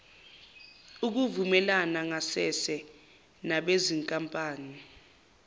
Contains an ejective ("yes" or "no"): yes